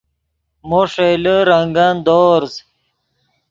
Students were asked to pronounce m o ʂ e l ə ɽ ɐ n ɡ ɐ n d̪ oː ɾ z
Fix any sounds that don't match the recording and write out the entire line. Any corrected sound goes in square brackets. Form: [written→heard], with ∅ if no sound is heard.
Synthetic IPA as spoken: m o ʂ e l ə [ɽ→ɾ] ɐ [n→ŋ] ɡ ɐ n d̪ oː ɾ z